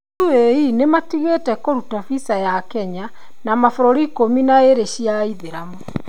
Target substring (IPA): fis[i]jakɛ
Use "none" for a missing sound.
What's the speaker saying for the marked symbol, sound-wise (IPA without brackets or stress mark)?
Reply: a